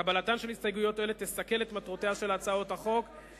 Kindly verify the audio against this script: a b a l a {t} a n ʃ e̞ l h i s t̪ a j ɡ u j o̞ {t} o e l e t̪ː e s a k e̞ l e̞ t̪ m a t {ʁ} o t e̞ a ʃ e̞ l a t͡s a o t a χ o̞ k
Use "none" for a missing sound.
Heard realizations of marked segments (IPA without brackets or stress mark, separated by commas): t, t, ʁ